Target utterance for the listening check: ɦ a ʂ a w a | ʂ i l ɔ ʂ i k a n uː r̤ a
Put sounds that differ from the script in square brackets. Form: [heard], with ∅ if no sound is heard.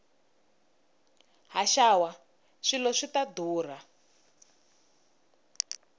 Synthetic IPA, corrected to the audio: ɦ a [ʃ] a w a | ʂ i l ɔ ʂ i [t] a [d] uː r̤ a